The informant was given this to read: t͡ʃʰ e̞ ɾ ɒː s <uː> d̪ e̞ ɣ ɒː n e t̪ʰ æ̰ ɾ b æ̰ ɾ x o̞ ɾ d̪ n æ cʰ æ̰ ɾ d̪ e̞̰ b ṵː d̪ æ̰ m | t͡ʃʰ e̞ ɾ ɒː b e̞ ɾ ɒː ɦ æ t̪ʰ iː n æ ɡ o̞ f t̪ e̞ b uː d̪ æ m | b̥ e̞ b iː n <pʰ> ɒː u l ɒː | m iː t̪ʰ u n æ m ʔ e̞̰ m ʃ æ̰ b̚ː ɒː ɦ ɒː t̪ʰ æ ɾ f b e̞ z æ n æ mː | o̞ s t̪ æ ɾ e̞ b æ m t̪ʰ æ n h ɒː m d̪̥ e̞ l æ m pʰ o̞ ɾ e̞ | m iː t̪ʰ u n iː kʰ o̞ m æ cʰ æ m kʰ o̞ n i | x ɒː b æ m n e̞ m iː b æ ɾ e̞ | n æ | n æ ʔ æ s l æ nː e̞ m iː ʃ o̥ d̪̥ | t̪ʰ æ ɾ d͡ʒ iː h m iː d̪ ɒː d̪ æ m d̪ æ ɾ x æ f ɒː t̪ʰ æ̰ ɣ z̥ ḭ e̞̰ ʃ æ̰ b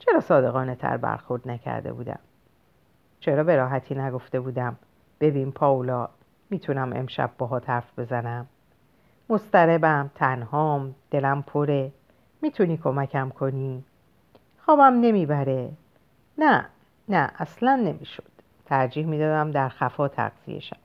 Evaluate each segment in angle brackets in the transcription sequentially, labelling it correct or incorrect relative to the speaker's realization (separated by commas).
incorrect, correct